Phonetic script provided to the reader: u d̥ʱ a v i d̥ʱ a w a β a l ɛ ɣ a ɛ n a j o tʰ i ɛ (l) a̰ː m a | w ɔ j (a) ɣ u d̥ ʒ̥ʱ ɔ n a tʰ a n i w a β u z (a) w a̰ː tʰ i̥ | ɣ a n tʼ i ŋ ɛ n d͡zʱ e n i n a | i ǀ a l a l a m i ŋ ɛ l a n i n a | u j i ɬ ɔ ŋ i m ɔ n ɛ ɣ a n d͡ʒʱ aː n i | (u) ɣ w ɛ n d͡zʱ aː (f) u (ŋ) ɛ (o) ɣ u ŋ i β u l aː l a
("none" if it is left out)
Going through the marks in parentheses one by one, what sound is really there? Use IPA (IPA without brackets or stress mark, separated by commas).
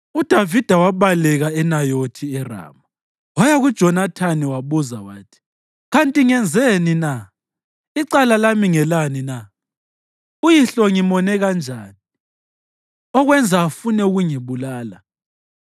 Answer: r, a, a, ɔ, f, n, u